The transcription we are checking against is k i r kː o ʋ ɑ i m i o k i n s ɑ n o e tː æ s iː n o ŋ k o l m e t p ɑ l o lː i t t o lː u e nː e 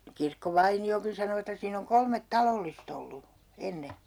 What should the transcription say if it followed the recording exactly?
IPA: k i r kː o ʋ ɑ i n i o k i n s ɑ n o e tː æ s iː n o ŋ k o l m e t t ɑ l o lː i s t o lː u e nː e